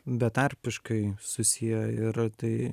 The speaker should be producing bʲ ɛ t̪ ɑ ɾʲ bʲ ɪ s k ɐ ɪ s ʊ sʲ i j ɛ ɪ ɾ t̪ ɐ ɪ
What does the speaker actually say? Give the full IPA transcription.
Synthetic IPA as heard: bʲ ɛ t̪ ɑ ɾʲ pʲ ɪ ʃ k ɐ ɪ s ʊ sʲ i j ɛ ɪ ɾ t̪ ɐ ɪ